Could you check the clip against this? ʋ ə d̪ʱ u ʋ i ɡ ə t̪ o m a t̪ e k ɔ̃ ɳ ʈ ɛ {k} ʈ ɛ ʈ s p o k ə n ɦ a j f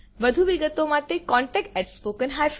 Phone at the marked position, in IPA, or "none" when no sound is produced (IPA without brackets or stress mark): k